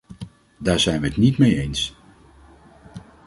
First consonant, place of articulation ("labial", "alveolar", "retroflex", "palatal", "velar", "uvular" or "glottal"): alveolar